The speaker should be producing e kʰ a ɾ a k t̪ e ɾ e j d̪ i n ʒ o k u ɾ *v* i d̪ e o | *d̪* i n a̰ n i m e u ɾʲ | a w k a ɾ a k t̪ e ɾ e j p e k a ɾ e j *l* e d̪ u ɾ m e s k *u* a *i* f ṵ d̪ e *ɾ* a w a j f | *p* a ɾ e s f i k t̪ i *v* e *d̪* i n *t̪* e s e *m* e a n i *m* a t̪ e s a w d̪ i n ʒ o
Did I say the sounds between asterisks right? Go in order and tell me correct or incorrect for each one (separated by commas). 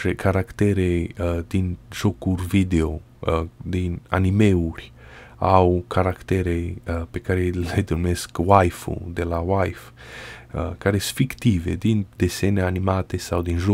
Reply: correct, correct, correct, incorrect, incorrect, incorrect, incorrect, correct, correct, incorrect, incorrect, correct